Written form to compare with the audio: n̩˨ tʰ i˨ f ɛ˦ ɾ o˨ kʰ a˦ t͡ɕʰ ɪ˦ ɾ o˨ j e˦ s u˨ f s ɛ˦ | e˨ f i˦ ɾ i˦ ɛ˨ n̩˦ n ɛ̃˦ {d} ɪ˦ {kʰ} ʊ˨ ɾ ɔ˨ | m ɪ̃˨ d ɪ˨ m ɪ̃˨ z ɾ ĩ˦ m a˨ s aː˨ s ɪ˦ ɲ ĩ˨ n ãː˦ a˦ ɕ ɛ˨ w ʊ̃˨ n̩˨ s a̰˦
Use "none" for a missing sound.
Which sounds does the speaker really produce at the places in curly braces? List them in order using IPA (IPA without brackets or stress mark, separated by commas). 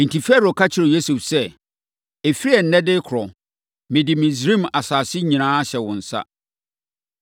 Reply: d, kʰ